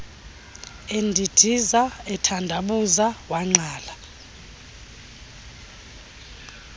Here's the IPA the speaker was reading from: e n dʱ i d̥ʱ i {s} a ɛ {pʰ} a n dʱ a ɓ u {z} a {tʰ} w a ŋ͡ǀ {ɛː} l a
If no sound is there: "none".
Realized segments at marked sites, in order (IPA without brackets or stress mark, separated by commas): z, tʰ, z, none, aː